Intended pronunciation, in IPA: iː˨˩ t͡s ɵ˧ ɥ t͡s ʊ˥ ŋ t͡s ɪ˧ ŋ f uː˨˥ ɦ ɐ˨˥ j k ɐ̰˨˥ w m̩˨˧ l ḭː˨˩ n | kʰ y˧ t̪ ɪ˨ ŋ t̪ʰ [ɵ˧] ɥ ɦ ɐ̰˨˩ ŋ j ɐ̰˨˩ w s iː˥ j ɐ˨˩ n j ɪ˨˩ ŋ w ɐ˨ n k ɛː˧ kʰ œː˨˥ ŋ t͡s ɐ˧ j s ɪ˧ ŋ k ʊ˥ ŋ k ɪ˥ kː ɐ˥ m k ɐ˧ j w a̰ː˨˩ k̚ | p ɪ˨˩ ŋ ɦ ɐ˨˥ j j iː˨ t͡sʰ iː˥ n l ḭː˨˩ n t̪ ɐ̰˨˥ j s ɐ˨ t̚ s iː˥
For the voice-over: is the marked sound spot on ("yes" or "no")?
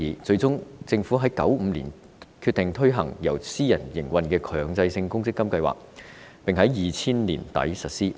no